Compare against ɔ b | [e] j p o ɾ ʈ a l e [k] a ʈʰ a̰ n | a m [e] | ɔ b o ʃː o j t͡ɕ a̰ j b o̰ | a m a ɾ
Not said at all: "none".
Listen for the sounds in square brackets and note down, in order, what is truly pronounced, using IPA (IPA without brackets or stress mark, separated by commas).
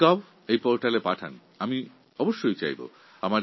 e, p, i